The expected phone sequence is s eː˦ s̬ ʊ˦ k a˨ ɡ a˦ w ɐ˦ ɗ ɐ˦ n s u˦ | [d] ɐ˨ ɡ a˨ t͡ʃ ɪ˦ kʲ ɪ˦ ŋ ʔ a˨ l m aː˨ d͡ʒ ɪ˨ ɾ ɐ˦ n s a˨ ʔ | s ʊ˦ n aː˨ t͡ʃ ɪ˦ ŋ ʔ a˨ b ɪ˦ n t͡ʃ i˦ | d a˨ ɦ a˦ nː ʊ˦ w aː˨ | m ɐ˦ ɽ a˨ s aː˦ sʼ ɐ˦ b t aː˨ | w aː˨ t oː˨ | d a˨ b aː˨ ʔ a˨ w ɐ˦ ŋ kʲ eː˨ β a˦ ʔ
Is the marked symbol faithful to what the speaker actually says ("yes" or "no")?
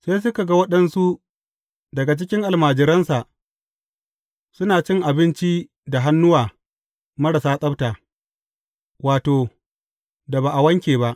yes